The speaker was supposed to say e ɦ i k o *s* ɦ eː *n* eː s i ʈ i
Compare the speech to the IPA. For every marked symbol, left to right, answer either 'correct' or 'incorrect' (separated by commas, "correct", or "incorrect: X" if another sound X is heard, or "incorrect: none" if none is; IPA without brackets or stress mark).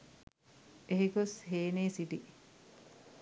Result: correct, correct